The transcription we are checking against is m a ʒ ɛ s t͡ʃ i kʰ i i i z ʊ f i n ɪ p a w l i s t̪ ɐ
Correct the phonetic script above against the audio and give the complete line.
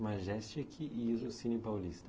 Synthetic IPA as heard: m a ʒ ɛ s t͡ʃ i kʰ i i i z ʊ s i n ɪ p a w l i s t̪ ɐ